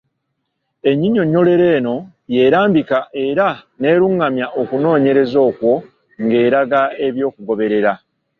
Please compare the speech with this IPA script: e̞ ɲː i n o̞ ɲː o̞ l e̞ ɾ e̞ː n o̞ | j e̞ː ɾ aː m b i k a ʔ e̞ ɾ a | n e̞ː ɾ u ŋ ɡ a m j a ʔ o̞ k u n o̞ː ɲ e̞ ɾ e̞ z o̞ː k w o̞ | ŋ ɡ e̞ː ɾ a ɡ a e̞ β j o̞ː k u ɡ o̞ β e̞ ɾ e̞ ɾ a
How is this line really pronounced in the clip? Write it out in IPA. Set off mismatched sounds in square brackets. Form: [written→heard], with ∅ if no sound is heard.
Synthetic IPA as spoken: e̞ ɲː i [n→ɲ] o̞ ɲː o̞ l e̞ ɾ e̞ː n o̞ | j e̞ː ɾ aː m b i k a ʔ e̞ ɾ a | n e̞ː ɾ u ŋ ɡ a m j a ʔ o̞ k u n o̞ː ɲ e̞ ɾ e̞ z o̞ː k w o̞ | ŋ ɡ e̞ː ɾ a ɡ a e̞ β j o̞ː k u ɡ o̞ β e̞ ɾ e̞ ɾ a